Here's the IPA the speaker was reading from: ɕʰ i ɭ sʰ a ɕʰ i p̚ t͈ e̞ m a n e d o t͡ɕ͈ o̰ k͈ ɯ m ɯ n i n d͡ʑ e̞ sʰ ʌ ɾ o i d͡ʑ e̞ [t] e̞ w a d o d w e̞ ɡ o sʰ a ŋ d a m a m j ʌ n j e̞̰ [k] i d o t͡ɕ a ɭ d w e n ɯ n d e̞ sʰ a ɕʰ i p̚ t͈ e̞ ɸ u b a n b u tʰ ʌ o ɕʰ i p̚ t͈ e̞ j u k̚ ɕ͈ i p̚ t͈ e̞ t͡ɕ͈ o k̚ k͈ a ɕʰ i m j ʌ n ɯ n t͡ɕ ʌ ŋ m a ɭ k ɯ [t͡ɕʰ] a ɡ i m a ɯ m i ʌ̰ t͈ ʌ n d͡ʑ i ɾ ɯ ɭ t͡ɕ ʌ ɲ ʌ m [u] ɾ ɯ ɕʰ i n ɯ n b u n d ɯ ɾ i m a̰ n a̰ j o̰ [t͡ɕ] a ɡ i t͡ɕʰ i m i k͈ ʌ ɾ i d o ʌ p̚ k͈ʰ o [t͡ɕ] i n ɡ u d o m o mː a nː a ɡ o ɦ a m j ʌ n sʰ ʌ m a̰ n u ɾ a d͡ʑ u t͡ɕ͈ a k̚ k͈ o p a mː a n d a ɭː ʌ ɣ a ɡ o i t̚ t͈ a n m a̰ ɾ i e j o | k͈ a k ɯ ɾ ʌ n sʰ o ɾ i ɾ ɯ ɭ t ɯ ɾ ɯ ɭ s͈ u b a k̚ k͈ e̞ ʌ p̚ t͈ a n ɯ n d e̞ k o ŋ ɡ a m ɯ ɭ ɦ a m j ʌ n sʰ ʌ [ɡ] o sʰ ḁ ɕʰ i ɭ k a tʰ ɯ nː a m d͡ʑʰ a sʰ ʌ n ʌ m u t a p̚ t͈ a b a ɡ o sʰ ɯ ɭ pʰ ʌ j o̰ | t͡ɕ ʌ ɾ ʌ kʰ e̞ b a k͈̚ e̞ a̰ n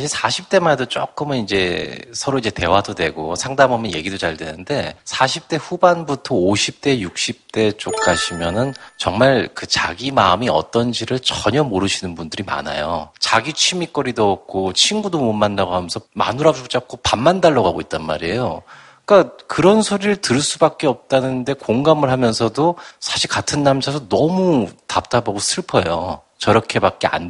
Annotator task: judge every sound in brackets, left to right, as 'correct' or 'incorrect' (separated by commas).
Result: correct, incorrect, incorrect, incorrect, correct, incorrect, incorrect